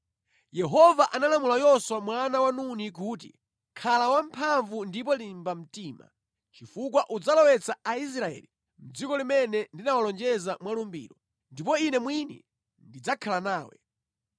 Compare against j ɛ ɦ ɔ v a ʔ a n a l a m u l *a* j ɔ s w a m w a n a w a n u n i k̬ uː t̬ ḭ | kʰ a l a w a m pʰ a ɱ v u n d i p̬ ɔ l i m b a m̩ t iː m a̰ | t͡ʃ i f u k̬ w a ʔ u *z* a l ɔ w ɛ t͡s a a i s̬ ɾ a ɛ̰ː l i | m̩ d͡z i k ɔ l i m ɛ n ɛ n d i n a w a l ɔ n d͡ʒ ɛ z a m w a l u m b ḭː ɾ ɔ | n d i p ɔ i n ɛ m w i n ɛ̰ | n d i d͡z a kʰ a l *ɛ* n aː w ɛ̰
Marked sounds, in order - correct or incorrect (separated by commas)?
correct, incorrect, incorrect